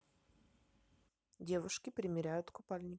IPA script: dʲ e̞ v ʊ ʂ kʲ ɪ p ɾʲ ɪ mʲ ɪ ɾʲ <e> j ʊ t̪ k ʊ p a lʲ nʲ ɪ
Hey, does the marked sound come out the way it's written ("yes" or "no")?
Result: no